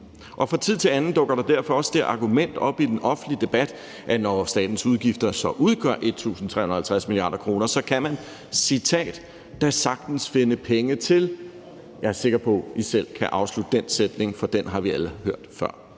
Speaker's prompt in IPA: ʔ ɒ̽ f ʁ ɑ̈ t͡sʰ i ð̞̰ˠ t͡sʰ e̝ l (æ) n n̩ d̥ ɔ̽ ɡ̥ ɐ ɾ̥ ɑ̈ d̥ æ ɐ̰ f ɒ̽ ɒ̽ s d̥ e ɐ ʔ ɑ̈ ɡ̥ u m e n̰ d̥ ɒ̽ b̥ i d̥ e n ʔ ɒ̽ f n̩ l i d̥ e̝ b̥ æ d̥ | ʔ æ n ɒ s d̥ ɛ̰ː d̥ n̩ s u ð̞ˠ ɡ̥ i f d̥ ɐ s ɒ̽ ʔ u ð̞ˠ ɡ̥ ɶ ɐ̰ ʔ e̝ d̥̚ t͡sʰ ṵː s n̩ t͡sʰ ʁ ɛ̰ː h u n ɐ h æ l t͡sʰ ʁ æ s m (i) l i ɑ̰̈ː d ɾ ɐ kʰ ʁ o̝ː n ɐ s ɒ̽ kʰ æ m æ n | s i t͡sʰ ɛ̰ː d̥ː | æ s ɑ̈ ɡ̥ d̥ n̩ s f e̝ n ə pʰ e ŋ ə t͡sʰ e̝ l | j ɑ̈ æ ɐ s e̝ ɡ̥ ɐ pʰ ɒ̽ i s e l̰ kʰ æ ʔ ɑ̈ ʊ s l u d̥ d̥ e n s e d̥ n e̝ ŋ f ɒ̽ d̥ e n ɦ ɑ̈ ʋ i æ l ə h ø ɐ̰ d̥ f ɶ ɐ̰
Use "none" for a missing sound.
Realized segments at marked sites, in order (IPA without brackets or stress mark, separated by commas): æ, i